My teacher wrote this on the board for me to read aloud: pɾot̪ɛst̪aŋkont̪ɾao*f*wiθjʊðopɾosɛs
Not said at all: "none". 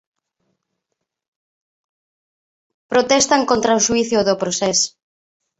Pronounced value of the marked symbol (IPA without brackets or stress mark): ʃ